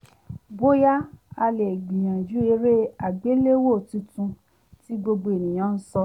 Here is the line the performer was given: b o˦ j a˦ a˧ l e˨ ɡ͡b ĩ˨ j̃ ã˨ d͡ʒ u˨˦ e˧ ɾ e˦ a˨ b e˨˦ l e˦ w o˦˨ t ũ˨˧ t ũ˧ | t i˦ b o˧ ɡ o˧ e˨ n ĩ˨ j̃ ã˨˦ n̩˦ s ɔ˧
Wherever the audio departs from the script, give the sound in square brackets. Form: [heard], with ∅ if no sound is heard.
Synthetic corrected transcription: b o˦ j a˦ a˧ l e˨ ɡ͡b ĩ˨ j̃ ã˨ d͡ʒ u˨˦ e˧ ɾ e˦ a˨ [ɡ͡b] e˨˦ l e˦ w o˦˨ t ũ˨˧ t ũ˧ | t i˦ [ɡ͡b] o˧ [ɡ͡b] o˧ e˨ n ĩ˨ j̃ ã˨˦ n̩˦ s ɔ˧